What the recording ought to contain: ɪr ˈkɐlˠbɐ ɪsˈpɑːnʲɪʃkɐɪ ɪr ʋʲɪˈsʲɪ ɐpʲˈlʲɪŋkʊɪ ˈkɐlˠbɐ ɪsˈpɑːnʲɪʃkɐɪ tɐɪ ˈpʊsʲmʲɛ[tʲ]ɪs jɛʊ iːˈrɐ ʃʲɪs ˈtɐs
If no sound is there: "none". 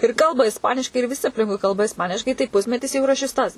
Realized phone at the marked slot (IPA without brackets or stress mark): tʲ